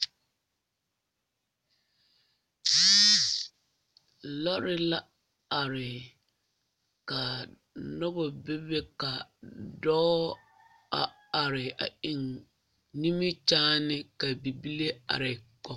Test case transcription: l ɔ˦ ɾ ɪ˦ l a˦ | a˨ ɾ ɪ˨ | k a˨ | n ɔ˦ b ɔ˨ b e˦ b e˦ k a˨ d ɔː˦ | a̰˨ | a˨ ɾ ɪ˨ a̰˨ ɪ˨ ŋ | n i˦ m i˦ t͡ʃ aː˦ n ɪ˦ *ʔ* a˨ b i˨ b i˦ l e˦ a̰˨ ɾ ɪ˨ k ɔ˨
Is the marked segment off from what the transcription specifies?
yes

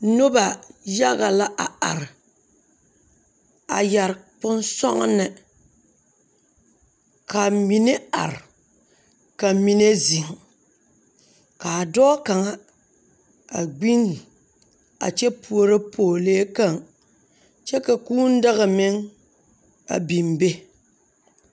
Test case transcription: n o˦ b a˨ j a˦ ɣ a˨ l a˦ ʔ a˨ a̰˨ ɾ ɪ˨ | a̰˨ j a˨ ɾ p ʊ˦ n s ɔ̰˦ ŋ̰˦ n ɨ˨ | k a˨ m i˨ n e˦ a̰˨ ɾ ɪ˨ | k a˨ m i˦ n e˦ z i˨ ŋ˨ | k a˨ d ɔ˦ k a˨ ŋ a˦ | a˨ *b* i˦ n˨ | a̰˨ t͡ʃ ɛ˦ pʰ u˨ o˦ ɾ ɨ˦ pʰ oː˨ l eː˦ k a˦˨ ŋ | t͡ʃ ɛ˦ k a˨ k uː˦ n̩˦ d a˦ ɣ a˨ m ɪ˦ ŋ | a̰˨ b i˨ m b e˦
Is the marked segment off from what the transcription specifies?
yes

